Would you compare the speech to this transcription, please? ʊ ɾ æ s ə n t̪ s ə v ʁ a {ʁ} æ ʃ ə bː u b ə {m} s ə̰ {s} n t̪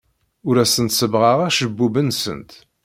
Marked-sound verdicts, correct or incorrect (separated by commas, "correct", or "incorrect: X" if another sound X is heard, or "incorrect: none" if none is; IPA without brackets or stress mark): correct, incorrect: n, incorrect: none